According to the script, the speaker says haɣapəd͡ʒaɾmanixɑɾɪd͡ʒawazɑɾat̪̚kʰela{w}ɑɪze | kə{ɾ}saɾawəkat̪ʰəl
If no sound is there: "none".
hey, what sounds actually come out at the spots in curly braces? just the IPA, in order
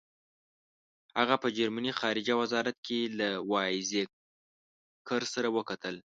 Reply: w, ɾ

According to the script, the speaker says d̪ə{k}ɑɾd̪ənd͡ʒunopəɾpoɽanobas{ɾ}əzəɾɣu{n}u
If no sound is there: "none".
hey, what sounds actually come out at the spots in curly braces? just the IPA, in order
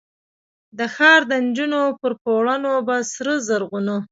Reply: x, ɾ, n

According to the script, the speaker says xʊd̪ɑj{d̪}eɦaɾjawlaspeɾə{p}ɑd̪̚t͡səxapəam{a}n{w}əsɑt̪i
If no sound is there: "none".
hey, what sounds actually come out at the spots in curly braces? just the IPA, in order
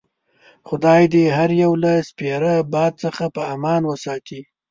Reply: d̪, b, ɑ, w

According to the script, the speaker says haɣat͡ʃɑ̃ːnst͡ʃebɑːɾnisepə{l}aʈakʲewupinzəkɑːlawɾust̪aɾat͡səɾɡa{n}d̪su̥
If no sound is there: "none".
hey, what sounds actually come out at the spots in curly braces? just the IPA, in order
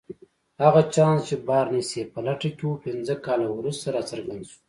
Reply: l, n

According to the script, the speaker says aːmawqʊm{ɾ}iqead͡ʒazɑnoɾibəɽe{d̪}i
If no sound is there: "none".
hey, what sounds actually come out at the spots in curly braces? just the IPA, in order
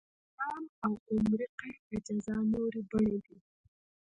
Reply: ɾ, d̪

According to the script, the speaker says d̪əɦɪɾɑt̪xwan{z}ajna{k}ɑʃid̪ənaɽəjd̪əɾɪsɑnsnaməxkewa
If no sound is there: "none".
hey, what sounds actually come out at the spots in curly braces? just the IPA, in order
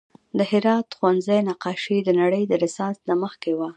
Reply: z, q

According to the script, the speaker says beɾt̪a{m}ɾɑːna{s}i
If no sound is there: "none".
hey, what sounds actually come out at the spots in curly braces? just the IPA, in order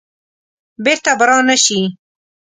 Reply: b, ʃ

